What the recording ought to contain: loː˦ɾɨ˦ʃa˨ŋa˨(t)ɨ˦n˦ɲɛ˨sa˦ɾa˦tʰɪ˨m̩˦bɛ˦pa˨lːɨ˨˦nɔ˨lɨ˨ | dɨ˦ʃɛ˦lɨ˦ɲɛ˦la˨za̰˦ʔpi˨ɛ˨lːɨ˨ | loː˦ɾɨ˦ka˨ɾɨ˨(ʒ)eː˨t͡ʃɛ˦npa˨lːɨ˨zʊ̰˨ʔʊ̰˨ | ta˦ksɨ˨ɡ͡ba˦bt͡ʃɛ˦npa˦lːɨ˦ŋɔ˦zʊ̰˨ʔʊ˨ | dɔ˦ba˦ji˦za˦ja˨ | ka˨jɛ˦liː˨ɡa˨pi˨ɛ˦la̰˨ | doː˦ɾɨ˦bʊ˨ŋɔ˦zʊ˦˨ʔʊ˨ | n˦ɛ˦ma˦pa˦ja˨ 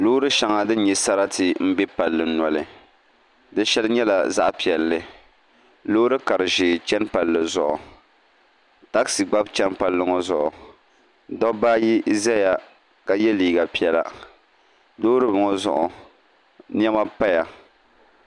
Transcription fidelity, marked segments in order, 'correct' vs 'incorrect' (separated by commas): incorrect, correct